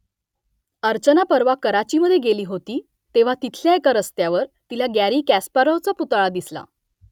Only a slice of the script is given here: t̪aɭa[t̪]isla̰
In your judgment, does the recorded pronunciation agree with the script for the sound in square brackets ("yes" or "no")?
no